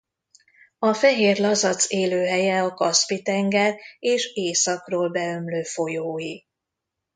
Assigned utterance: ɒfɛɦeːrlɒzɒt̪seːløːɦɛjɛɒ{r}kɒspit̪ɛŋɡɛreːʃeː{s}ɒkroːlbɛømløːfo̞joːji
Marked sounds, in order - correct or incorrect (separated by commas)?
incorrect, correct